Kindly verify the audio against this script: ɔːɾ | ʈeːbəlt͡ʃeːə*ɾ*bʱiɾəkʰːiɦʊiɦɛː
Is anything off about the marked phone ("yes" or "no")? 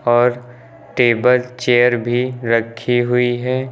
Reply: no